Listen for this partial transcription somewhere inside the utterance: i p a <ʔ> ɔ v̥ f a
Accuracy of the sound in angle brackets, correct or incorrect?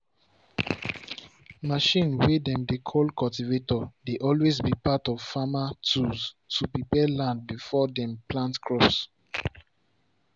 incorrect: t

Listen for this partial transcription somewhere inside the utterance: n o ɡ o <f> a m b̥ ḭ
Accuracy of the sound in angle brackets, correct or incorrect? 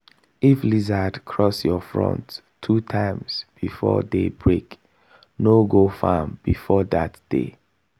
correct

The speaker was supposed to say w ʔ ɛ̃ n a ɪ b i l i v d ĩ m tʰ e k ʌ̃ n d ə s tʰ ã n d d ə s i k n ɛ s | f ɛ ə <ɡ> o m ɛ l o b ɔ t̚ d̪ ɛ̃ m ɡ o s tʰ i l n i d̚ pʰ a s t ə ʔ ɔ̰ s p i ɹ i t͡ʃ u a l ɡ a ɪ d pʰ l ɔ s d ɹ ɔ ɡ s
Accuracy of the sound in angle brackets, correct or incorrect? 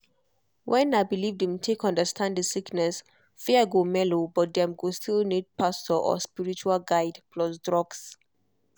correct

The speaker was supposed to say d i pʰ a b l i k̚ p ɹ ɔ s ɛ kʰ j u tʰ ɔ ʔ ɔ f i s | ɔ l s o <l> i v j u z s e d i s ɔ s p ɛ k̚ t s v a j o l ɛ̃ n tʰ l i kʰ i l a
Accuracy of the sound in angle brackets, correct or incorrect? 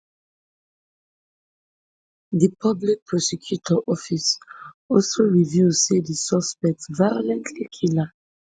incorrect: ɹ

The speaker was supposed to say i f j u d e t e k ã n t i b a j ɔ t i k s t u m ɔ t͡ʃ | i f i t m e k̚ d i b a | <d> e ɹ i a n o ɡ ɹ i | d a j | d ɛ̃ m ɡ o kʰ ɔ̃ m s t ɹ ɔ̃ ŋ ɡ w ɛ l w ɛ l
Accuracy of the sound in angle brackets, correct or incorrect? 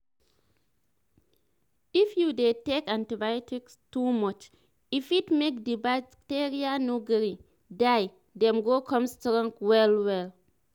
incorrect: t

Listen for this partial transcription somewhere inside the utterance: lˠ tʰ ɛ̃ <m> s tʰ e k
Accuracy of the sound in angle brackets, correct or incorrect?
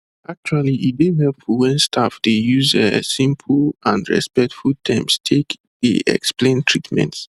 correct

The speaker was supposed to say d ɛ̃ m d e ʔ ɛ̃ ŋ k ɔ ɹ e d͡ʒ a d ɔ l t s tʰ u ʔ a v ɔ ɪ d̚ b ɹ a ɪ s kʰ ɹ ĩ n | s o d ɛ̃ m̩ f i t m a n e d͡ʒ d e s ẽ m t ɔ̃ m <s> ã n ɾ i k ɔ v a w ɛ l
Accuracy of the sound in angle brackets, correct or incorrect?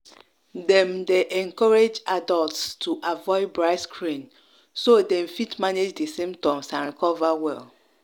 correct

